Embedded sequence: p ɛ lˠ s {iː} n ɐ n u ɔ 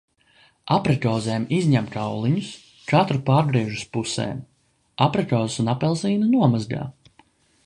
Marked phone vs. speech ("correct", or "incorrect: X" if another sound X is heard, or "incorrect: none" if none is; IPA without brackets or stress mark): correct